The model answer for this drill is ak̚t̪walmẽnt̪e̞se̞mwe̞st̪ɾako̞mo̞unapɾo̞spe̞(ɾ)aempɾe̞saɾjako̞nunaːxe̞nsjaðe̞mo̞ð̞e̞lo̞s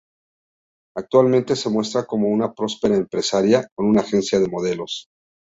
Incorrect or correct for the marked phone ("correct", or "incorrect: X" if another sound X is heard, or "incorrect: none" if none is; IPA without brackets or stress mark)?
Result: correct